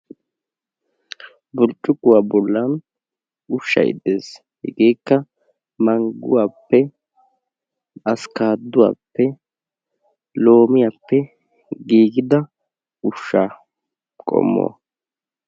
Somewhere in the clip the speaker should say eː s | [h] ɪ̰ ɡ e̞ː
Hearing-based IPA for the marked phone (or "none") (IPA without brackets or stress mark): h